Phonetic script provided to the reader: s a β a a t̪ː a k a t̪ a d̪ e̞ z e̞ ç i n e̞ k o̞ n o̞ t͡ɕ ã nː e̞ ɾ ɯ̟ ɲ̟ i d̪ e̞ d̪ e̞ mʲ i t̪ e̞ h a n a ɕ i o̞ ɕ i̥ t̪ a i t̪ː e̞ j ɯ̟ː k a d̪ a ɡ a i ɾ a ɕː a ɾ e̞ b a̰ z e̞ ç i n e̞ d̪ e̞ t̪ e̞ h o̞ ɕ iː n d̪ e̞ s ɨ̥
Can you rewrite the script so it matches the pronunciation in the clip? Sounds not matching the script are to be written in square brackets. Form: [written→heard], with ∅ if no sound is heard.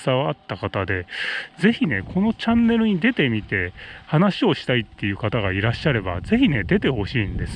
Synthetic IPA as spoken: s a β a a t̪ː a k a t̪ a d̪ e̞ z e̞ ç i n e̞ k o̞ n o̞ t͡ɕ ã nː e̞ ɾ ɯ̟ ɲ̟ i d̪ e̞ [d̪→t̪] e̞ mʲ i t̪ e̞ h a n a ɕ i o̞ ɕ i̥ t̪ a i t̪ː e̞ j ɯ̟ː k a [d̪→t̪] a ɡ a i ɾ a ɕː a ɾ e̞ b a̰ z e̞ ç i n e̞ d̪ e̞ t̪ e̞ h o̞ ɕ iː n d̪ e̞ s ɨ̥